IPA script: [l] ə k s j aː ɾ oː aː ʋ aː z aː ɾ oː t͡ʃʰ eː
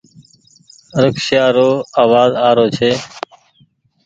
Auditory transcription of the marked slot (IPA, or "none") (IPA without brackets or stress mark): ɾ